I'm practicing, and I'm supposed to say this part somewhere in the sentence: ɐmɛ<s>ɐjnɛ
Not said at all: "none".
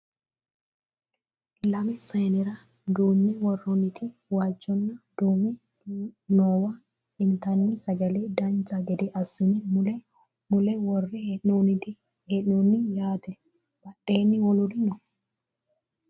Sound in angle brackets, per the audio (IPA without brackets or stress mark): s